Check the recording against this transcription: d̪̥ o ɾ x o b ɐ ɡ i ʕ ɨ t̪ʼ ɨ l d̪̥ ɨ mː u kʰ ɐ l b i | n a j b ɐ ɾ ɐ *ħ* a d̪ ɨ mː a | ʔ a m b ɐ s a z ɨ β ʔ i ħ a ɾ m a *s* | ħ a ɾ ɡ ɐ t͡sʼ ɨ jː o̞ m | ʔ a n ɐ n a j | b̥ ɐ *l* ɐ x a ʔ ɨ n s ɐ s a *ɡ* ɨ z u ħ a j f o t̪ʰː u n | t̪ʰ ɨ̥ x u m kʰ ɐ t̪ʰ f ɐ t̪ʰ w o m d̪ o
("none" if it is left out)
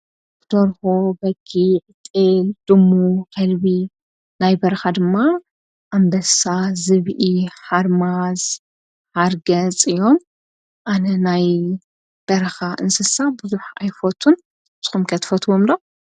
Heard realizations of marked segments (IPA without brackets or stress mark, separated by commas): x, z, ɾ, b